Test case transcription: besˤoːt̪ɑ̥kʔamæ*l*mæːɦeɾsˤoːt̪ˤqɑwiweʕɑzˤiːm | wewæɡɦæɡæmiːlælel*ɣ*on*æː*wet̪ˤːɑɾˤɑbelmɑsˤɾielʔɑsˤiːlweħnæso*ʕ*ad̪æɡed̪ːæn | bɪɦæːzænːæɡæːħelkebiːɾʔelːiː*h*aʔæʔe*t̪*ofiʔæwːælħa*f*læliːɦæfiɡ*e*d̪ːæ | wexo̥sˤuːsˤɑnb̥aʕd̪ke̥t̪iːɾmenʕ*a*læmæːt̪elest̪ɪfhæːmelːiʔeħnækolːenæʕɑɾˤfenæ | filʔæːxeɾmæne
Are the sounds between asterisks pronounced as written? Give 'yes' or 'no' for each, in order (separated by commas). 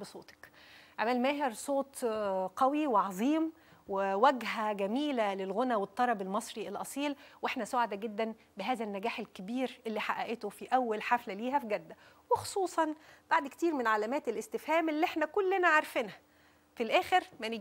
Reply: yes, yes, no, yes, no, yes, yes, no, yes